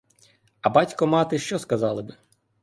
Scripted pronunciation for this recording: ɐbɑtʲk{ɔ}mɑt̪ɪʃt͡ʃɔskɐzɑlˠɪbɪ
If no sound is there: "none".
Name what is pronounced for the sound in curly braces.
ɔ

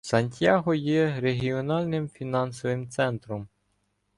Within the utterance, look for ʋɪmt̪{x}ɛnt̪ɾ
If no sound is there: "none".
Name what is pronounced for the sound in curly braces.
s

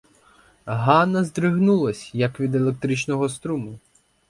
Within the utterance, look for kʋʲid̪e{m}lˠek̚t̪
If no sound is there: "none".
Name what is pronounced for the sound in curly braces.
none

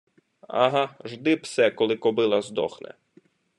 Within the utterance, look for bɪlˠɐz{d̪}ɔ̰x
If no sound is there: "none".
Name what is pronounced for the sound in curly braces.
d̪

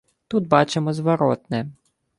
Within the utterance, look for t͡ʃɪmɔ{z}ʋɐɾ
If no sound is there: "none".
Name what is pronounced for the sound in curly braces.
z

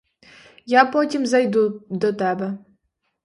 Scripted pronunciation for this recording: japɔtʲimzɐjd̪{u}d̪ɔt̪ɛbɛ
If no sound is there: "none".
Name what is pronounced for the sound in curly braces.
u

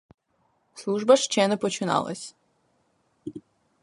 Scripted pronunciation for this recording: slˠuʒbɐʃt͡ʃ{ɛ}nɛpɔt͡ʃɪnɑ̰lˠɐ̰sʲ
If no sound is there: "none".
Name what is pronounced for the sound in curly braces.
ɛ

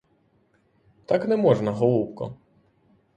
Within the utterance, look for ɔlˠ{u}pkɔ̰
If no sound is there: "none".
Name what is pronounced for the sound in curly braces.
u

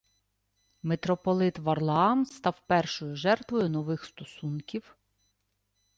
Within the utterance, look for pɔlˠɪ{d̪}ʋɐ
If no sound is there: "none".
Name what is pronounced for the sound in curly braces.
t̪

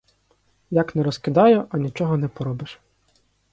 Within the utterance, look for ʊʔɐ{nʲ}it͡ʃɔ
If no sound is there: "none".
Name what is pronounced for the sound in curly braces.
nʲ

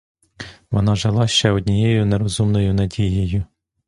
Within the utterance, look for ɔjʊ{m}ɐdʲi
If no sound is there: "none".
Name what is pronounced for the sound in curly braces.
n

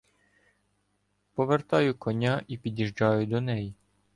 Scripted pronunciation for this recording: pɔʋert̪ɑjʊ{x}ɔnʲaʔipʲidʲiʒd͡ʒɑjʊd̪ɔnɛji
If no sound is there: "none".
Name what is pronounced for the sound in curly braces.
k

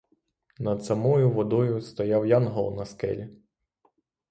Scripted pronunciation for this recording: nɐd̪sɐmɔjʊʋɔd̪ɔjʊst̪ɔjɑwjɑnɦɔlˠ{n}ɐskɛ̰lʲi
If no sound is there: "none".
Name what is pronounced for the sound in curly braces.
n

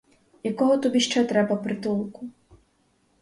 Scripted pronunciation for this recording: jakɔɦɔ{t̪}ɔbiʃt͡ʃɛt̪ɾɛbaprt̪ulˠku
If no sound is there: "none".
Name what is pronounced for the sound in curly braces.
t̪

